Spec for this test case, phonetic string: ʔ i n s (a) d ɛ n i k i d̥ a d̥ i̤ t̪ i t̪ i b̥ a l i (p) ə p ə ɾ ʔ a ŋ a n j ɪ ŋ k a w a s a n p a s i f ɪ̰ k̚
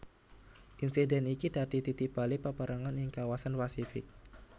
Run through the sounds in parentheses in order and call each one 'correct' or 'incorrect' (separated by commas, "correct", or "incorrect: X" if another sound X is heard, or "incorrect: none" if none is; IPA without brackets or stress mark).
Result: incorrect: i, correct